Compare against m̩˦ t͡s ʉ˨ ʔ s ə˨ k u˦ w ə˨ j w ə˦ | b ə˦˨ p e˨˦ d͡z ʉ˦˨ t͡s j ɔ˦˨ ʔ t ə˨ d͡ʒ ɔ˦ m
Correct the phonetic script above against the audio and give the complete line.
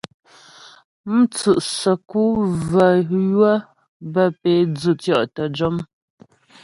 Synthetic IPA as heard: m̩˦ t͡s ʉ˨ ʔ s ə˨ k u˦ v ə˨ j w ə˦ | b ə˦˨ p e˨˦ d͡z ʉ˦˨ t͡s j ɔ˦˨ ʔ t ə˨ d͡ʒ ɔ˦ m